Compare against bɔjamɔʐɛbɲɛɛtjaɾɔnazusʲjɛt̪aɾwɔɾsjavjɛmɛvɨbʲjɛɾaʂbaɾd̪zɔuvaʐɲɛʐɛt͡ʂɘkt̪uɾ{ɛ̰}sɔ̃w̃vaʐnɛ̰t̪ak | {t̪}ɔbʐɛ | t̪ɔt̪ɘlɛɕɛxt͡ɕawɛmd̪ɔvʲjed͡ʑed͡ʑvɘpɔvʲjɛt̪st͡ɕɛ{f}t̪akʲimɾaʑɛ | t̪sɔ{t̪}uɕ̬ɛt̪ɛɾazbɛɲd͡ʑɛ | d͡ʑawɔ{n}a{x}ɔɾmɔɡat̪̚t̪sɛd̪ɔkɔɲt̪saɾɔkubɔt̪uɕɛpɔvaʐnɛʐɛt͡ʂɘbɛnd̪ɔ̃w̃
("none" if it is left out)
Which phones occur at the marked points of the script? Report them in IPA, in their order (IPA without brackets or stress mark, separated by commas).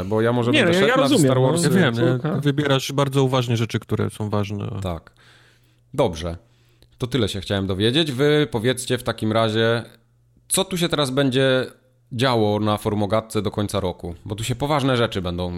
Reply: ɛ̰, d̪, f, t̪, n, f